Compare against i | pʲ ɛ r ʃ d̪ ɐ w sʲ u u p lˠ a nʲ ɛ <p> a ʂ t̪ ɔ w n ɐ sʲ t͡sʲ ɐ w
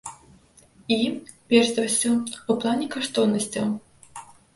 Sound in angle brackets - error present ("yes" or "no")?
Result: yes